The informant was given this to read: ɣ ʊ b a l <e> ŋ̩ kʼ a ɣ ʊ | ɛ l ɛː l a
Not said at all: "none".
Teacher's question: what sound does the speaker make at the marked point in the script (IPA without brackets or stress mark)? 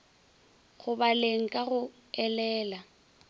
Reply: e